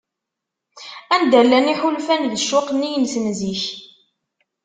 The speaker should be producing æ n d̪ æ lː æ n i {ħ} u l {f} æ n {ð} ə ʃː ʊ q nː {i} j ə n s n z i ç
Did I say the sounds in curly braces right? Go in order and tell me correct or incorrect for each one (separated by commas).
correct, correct, correct, correct